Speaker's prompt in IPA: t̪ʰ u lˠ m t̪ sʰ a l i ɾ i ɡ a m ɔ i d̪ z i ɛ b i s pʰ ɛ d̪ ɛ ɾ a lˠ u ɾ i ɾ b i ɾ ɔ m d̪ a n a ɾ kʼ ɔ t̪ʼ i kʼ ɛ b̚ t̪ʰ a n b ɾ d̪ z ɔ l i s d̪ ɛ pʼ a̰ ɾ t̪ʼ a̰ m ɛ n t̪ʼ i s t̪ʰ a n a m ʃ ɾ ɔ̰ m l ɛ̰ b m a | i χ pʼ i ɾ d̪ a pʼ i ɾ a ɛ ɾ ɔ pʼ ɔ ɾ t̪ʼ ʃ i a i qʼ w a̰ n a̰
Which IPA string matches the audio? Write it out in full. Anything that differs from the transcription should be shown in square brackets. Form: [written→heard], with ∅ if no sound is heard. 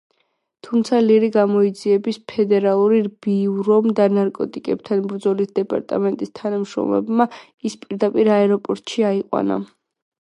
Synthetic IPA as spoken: t̪ʰ u [lˠ→∅] m t̪ sʰ a l i ɾ i ɡ a m ɔ i d̪ z i ɛ b i s pʰ ɛ d̪ ɛ ɾ a lˠ u ɾ i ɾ b i ɾ ɔ m d̪ a n a ɾ kʼ ɔ t̪ʼ i kʼ ɛ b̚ t̪ʰ a n b ɾ d̪ z ɔ l i s d̪ ɛ pʼ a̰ ɾ t̪ʼ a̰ m ɛ n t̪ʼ i s t̪ʰ a n a m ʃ ɾ ɔ̰ m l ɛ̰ b m a | i [χ→s] pʼ i ɾ d̪ a pʼ i ɾ a ɛ ɾ ɔ pʼ ɔ ɾ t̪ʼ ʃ i a i qʼ w a̰ n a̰